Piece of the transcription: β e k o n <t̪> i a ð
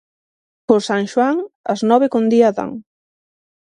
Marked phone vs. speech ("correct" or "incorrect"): incorrect